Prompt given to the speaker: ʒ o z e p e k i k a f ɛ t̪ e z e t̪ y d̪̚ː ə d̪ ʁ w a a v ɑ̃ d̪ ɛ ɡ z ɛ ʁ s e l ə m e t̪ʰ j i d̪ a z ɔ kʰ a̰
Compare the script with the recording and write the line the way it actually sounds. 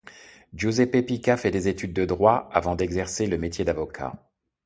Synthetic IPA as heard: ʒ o z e p e p i k a f ɛ d̪ e z e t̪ y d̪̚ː ə d̪ ʁ w a a v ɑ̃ d̪ ɛ ɡ z ɛ ʁ s e l ə m e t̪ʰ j e d̪ a v ɔ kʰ a̰